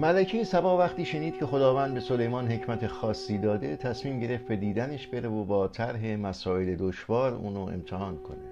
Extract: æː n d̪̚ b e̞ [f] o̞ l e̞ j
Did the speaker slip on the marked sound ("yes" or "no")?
yes